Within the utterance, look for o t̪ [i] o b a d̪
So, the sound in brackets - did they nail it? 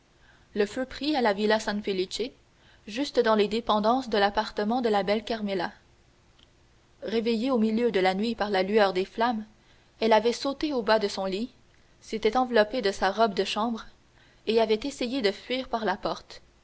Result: no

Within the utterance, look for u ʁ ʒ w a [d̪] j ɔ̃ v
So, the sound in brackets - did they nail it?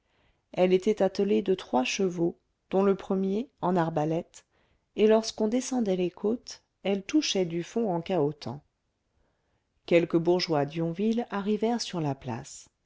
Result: yes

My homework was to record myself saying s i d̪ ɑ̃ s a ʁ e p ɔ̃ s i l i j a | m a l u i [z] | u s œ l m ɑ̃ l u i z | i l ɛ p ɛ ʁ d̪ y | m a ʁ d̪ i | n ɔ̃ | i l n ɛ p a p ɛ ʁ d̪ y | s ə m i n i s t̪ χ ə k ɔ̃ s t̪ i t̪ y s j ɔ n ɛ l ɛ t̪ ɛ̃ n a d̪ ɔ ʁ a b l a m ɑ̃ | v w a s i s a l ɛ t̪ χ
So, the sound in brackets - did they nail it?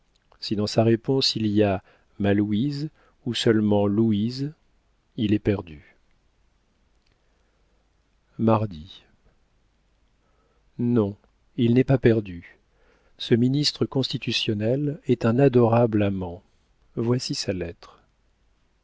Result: yes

